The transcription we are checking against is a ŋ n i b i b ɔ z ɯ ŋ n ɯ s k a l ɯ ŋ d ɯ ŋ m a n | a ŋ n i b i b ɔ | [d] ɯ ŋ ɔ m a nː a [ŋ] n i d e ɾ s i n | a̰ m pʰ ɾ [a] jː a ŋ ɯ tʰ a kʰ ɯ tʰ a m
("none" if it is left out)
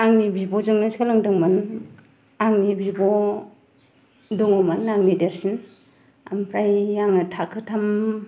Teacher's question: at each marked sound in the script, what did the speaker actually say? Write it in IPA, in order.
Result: d, ŋ, a

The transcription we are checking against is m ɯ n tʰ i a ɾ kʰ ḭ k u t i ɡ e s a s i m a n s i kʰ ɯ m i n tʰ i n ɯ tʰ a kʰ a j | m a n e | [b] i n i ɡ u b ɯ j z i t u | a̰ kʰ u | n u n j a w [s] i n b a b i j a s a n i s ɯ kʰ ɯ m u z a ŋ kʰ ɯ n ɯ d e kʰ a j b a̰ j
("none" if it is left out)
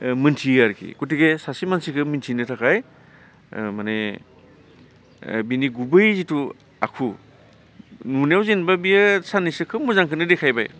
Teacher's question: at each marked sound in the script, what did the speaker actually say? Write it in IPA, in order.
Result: b, z

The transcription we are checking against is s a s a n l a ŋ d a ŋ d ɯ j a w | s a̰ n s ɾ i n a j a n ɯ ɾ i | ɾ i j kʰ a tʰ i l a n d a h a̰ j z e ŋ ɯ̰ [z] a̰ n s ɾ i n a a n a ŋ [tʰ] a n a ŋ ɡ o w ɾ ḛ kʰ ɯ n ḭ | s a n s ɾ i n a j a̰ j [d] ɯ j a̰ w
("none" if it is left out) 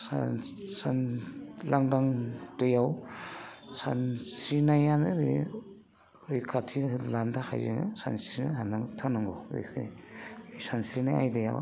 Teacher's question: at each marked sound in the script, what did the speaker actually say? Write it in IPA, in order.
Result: s, tʰ, d

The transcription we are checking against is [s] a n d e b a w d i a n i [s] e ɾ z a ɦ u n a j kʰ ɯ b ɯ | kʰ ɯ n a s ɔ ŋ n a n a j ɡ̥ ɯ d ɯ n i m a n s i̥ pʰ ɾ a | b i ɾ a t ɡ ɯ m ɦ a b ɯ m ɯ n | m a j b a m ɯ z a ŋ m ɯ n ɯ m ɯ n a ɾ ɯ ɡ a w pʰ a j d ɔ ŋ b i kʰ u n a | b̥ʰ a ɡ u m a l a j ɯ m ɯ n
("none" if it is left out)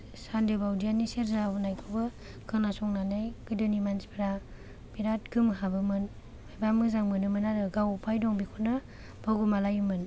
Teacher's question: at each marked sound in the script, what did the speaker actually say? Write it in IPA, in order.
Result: s, s

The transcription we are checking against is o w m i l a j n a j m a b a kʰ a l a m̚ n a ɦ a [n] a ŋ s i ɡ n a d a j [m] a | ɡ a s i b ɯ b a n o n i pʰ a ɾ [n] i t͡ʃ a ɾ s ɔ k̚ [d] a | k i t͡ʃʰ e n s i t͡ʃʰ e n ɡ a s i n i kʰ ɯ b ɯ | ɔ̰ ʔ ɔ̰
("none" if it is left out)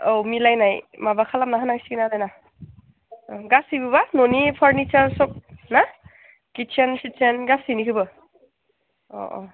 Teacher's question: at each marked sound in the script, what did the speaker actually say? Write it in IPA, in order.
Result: n, n, n, n

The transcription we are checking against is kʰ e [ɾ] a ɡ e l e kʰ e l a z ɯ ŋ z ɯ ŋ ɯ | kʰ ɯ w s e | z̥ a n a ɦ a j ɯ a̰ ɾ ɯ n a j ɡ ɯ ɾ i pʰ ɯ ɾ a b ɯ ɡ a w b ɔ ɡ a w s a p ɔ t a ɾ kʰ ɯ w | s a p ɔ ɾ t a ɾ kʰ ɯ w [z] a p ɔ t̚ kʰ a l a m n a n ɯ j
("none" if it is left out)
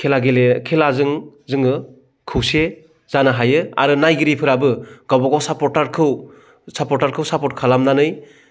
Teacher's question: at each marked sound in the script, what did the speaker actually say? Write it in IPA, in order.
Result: l, s

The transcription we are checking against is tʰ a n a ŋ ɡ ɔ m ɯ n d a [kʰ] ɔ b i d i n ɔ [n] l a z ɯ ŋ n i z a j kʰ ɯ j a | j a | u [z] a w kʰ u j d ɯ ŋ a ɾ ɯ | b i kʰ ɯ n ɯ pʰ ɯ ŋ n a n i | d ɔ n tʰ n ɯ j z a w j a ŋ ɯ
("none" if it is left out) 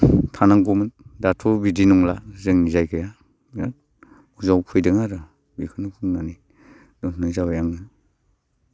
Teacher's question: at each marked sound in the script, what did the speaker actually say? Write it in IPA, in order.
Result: tʰ, ŋ, z

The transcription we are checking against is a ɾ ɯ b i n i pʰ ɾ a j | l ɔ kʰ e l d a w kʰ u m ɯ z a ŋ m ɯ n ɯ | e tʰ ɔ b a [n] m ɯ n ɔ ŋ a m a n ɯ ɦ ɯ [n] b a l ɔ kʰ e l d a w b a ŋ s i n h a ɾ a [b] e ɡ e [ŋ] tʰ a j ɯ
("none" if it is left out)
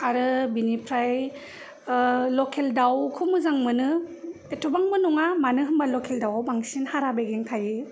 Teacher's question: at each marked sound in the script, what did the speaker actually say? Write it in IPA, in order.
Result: ŋ, m, b, ŋ

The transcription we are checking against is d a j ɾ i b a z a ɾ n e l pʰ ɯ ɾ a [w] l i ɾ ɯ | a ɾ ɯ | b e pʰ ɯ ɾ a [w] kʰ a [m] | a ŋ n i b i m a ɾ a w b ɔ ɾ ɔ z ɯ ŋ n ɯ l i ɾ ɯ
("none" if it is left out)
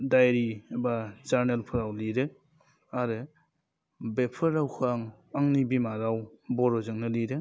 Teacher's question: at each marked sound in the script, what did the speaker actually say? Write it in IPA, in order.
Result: w, w, ŋ

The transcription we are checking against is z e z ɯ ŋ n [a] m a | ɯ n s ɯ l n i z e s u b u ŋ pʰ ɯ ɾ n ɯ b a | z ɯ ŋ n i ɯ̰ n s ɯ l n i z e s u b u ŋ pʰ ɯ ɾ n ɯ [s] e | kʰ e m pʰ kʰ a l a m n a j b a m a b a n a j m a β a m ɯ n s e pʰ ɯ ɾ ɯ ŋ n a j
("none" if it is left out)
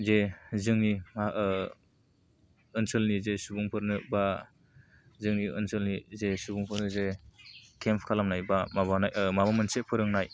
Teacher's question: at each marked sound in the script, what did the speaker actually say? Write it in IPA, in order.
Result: i, z

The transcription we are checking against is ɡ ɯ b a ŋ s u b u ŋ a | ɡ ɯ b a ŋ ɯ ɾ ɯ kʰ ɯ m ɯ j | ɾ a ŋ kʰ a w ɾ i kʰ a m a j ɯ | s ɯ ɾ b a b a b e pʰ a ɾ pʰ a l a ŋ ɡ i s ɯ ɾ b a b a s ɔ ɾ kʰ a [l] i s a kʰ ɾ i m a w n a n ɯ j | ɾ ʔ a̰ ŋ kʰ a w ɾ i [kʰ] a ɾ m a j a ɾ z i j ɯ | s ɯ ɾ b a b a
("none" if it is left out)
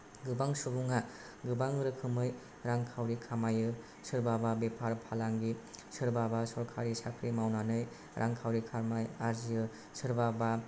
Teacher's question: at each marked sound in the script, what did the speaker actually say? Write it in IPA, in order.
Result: ɾ, kʰ

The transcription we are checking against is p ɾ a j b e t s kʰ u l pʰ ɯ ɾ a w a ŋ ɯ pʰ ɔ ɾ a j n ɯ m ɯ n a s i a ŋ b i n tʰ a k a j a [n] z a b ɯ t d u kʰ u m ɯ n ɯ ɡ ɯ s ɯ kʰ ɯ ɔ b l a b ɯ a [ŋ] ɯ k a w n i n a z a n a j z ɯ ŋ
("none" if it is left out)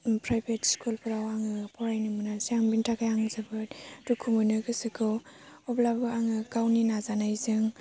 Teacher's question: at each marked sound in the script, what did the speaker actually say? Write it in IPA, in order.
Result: ŋ, ŋ

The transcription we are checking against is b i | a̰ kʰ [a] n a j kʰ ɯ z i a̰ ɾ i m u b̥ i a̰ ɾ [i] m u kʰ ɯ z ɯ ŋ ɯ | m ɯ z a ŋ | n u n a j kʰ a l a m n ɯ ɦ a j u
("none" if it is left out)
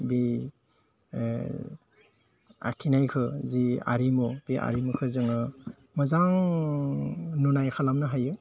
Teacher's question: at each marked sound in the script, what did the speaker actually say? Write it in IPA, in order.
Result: i, i

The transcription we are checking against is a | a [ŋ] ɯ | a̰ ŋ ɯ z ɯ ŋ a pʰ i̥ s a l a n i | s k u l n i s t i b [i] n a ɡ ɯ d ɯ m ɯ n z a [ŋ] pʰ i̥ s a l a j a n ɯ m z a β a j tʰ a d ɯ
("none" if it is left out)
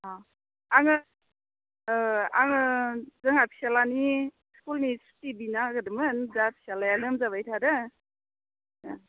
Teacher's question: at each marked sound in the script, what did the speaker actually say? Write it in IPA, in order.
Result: ŋ, i, none

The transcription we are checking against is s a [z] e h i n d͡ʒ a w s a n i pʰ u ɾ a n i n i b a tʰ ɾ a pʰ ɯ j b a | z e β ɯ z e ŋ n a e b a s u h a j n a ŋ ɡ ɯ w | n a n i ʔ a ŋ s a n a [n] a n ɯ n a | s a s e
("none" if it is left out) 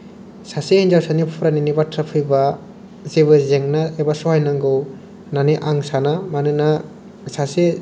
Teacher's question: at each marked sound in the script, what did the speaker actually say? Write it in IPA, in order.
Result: s, m

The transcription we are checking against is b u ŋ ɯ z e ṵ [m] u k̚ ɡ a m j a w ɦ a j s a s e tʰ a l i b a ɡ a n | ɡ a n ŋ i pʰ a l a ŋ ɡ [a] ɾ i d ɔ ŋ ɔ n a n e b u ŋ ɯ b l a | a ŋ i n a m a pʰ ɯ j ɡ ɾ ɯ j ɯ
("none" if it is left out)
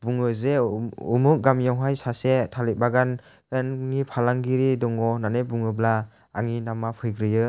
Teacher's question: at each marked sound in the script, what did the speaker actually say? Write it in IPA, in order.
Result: m, i

